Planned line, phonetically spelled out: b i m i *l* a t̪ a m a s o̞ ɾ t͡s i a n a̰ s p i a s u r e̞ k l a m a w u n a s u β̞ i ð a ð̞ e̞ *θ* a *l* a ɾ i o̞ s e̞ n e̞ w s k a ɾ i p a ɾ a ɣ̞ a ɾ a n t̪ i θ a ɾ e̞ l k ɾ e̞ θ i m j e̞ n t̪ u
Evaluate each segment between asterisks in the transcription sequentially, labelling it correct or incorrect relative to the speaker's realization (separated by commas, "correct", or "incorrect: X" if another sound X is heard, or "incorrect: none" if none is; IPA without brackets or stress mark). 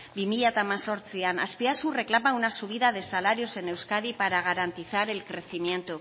incorrect: ʎ, incorrect: s, correct